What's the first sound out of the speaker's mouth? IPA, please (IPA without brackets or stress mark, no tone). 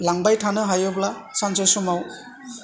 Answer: l